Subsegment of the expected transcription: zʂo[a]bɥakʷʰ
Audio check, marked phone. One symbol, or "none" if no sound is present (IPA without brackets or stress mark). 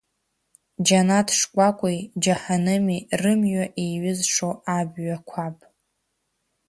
a